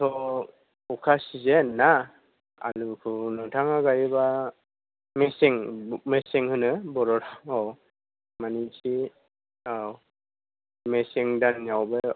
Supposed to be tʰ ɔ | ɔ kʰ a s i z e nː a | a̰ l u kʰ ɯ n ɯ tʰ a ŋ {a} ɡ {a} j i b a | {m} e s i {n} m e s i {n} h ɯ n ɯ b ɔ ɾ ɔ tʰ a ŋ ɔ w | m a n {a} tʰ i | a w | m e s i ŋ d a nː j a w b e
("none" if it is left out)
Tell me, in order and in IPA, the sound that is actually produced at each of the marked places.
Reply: a, a, m, ŋ, ŋ, i

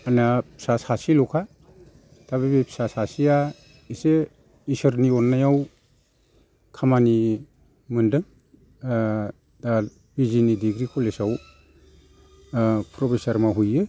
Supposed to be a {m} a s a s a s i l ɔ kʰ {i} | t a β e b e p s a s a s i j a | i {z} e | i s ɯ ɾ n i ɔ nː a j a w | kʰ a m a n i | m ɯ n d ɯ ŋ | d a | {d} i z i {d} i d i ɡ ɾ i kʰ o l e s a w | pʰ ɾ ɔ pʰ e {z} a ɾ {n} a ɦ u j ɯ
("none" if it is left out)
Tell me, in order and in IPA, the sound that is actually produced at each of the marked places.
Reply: n, a, s, b, n, s, m

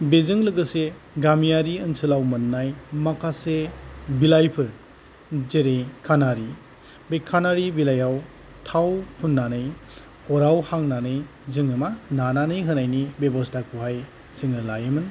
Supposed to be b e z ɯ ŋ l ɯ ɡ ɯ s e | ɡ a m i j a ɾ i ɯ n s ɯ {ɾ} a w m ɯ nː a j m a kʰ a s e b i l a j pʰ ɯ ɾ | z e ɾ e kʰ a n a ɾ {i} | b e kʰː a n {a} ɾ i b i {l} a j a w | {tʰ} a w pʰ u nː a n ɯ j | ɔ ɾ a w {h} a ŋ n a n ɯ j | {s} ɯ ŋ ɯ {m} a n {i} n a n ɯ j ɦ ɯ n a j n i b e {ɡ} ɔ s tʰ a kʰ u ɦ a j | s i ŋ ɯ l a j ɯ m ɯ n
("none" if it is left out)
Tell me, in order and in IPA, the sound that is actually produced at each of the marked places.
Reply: l, i, a, l, tʰ, h, z, m, a, b

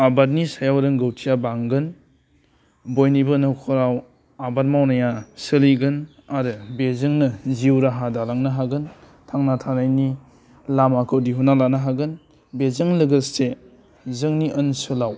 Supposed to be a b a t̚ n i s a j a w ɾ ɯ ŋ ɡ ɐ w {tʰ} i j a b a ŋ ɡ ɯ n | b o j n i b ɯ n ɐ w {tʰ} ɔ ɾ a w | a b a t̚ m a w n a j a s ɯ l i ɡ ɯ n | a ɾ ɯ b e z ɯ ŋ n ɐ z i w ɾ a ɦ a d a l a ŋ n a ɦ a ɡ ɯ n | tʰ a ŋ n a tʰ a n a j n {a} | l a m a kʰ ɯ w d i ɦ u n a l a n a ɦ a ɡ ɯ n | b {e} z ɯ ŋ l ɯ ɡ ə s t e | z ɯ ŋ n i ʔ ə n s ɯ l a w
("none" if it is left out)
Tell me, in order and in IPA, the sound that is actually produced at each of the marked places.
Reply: tʰ, kʰ, i, e

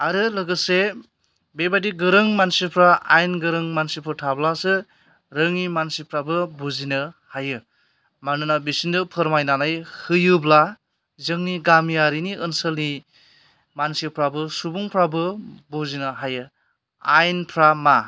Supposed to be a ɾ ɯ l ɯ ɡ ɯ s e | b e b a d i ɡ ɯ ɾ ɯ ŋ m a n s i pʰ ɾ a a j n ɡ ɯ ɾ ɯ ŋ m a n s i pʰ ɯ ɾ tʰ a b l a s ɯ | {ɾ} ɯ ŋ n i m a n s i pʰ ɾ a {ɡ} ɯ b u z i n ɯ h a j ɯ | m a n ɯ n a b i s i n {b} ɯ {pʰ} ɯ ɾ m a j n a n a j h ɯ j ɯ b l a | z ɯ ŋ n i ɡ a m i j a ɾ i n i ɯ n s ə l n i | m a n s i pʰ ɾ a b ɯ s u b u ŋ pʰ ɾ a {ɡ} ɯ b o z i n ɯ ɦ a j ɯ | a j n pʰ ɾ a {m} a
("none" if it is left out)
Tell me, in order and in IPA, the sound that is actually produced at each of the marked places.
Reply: ɾ, b, d, pʰ, b, m

